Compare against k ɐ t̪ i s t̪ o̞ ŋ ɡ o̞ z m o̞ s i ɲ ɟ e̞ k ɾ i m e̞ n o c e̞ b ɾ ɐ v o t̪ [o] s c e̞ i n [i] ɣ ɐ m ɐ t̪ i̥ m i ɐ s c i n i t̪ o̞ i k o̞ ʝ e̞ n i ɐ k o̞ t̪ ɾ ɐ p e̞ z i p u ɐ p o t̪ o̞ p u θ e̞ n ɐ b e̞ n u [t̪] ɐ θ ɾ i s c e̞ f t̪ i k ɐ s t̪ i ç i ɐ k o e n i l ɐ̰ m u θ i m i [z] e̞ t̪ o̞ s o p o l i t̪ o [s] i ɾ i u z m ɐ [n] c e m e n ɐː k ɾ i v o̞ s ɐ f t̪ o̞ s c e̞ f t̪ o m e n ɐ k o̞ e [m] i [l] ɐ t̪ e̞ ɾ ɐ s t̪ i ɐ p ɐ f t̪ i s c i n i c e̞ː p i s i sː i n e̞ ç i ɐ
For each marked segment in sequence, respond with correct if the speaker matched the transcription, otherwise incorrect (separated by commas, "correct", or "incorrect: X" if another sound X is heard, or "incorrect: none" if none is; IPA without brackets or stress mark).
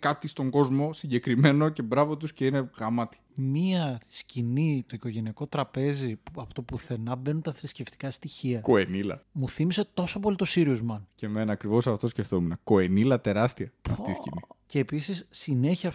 incorrect: u, incorrect: e, correct, incorrect: s, correct, correct, incorrect: n, correct